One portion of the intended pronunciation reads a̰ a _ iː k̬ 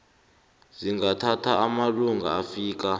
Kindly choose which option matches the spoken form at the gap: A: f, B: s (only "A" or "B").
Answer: A